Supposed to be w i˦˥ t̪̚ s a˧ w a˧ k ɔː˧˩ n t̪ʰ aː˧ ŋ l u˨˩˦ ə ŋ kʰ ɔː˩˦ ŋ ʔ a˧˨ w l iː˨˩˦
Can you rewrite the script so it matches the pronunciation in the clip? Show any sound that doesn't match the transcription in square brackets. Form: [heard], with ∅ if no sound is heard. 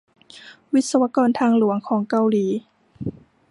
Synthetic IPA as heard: w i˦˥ t̪̚ s a˧ w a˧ k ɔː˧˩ n t̪ʰ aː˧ ŋ l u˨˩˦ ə ŋ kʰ ɔː˩˦ ŋ [k] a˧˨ w l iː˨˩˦